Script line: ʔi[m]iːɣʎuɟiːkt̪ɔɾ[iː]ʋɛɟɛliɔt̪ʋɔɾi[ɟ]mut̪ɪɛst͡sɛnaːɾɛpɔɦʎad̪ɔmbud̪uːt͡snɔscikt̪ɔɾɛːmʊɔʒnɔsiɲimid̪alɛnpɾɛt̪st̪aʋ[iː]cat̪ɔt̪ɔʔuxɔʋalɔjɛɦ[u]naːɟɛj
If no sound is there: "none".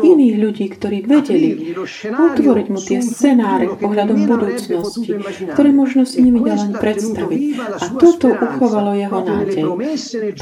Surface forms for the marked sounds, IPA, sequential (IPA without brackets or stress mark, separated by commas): n, iː, ɟ, i, ɔ